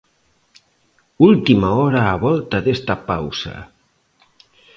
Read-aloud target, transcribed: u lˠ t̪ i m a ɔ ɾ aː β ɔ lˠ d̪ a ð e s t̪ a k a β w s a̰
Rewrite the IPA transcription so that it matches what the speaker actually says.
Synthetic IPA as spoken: u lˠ t̪ i m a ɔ ɾ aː β ɔ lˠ t̪ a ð e s t̪ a p a w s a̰